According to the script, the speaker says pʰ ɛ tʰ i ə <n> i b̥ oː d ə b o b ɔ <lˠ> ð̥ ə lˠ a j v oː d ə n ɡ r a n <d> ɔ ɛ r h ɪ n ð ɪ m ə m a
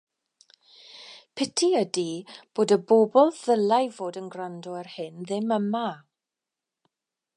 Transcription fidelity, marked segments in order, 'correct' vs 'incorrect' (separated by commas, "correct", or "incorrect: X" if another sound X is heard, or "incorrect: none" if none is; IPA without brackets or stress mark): incorrect: d, correct, correct